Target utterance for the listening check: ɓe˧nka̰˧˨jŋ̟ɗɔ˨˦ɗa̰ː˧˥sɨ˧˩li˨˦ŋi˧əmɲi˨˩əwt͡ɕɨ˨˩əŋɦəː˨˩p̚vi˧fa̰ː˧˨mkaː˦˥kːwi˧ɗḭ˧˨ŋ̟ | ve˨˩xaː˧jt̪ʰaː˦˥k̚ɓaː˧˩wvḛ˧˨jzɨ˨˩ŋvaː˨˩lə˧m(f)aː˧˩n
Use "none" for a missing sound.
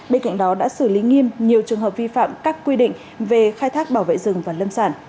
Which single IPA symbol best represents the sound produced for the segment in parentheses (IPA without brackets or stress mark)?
s